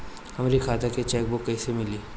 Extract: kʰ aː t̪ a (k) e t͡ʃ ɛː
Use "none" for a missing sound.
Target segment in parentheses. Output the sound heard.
k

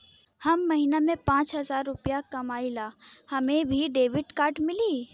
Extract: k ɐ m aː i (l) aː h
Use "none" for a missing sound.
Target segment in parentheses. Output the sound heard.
l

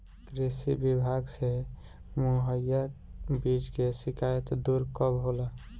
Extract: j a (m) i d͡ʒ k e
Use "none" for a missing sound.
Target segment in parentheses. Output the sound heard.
b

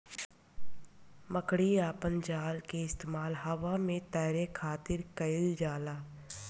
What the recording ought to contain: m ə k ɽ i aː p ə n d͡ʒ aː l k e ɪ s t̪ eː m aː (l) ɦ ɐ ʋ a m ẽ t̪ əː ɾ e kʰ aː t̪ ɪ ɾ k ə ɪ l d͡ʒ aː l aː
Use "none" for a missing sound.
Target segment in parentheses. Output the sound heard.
l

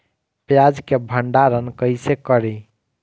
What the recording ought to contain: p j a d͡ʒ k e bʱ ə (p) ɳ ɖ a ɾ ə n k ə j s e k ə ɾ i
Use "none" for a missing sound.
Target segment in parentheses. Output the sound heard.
none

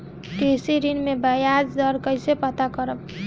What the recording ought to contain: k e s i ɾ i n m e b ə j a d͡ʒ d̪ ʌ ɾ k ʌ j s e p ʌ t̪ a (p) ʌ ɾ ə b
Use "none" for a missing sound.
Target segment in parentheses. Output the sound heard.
k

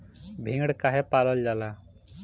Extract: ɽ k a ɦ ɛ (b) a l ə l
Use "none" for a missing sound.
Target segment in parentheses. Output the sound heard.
p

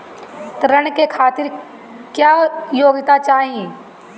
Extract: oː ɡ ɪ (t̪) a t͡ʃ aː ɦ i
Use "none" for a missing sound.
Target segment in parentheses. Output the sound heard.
t̪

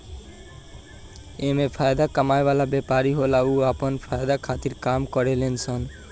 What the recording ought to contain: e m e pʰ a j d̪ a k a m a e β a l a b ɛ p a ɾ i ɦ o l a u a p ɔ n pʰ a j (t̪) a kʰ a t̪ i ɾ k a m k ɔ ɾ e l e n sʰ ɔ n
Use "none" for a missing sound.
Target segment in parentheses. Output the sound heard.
d̪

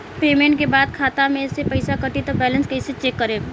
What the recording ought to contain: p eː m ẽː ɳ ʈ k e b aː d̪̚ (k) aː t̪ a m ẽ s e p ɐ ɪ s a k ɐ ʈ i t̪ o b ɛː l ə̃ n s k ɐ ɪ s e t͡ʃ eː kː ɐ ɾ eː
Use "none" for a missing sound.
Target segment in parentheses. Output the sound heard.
kʰ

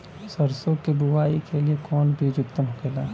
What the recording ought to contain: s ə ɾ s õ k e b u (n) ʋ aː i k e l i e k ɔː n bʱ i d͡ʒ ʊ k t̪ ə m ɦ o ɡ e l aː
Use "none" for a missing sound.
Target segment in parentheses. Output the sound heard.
none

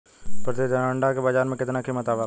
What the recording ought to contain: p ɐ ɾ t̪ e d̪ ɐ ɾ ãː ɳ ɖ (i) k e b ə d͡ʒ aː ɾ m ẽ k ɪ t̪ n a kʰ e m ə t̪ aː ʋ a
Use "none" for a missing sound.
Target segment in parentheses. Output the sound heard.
a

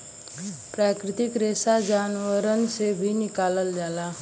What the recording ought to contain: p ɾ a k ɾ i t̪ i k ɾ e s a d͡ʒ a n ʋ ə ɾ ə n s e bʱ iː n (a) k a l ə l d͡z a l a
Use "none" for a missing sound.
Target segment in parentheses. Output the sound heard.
i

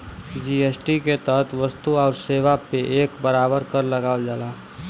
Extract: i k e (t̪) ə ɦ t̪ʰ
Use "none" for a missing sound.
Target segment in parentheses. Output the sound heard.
t̪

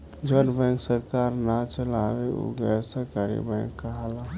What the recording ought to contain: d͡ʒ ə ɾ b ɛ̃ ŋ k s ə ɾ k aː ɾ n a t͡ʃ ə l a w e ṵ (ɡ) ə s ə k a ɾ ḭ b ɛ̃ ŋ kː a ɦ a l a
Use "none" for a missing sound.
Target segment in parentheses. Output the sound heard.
ɡ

